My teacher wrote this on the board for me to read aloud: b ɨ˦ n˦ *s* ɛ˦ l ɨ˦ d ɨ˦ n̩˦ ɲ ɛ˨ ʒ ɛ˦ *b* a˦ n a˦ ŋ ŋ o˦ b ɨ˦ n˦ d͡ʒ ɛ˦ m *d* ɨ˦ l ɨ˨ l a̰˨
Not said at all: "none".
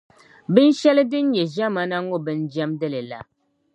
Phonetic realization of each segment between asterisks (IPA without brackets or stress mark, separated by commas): ʃ, m, d